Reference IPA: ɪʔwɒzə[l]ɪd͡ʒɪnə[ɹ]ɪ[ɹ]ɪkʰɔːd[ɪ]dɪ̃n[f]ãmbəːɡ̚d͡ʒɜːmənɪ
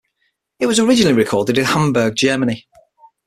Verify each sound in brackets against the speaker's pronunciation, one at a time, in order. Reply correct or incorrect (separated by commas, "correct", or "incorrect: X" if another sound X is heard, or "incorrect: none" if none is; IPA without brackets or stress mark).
incorrect: ɹ, incorrect: l, correct, correct, incorrect: h